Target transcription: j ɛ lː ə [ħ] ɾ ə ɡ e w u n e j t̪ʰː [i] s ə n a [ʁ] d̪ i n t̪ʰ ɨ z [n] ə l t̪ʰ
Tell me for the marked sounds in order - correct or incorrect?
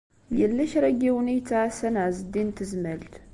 incorrect: ʃ, incorrect: a, incorrect: z, incorrect: m

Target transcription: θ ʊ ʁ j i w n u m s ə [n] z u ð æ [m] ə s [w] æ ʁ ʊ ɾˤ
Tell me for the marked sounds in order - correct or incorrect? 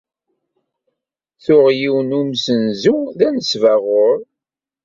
correct, incorrect: n, incorrect: v

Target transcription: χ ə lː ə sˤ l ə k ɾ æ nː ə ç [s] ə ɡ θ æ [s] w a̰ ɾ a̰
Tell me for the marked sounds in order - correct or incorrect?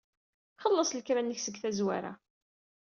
correct, incorrect: z

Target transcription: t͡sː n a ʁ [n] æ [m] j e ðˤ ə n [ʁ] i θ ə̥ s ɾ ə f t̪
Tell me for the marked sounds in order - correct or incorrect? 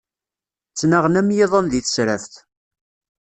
correct, correct, incorrect: ð

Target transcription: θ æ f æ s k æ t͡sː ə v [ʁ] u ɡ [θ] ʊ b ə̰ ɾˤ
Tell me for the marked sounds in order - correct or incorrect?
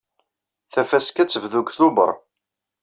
incorrect: ð, correct

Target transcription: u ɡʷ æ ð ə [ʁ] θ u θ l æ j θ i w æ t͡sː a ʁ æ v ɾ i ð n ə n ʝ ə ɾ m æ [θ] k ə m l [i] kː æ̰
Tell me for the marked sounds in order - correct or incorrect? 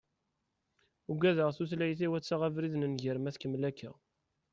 correct, correct, incorrect: æ

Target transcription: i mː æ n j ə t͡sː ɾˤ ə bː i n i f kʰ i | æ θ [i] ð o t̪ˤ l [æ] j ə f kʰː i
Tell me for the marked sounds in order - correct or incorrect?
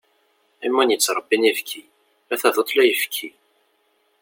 incorrect: æ, correct

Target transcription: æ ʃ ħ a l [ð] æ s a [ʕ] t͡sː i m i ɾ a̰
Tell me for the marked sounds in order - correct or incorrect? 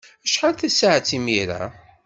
incorrect: θ, correct

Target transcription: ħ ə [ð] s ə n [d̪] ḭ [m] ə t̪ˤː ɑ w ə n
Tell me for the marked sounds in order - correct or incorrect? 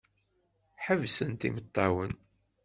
incorrect: v, incorrect: t̪, correct

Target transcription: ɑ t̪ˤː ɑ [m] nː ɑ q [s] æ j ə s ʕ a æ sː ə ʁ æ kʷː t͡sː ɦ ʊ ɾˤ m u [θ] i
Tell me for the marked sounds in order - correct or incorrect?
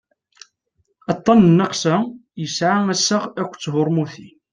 incorrect: n, correct, correct

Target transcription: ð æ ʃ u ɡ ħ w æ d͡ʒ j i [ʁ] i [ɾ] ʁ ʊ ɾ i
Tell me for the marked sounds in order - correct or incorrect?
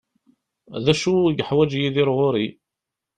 incorrect: ð, correct

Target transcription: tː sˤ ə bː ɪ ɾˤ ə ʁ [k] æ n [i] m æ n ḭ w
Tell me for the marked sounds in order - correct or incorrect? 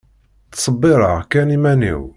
correct, correct

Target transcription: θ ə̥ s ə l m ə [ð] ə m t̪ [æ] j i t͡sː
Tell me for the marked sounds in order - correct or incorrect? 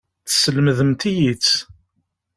correct, incorrect: i

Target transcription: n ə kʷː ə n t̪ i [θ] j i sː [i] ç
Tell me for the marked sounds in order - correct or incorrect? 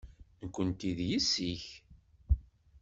incorrect: ð, correct

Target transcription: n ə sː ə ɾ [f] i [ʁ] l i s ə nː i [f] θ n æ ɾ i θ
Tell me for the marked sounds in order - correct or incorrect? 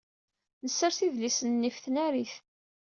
incorrect: θ, incorrect: ð, correct

